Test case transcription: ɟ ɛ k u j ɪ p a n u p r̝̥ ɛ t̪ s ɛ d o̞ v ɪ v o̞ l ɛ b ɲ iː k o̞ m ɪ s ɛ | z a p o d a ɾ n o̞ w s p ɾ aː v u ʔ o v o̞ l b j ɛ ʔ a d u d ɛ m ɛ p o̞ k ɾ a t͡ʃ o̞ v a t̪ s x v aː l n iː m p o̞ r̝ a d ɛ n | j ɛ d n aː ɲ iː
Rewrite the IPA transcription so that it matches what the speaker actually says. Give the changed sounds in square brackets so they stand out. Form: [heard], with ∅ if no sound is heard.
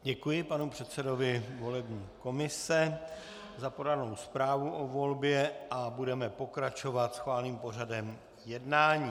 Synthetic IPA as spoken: ɟ ɛ k u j ɪ p a n u p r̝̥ ɛ t̪ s ɛ d o̞ v ɪ v o̞ l ɛ b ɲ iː k o̞ m ɪ s ɛ | z a p o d a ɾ n o̞ w s p ɾ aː v u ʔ o v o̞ l b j ɛ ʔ a [b] u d ɛ m ɛ p o̞ k ɾ a t͡ʃ o̞ v a t̪ s x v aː l n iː m p o̞ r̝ a d ɛ [m] | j ɛ d n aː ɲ iː